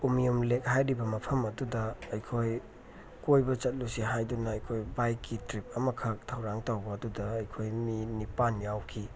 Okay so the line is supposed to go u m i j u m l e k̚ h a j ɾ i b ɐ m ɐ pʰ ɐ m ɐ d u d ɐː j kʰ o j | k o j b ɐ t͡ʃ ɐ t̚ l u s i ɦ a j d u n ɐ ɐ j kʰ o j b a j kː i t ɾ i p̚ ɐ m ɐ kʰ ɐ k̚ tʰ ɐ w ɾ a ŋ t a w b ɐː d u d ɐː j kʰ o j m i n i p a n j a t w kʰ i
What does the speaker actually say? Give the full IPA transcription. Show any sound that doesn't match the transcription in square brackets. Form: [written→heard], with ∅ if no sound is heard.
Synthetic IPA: u m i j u m l e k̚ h a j ɾ i b ɐ m ɐ pʰ ɐ m ɐ d u d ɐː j kʰ o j | k o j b ɐ t͡ʃ ɐ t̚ l u s i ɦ a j d u n ɐ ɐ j kʰ o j b a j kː i t ɾ i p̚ ɐ m ɐ kʰ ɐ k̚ tʰ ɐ w ɾ a ŋ t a w b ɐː d u d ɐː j kʰ o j m i n i p a n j a [t→∅] w kʰ i